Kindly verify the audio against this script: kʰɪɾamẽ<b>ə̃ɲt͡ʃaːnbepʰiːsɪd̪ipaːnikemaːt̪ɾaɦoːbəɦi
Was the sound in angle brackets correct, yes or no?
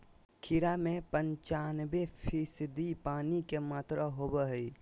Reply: no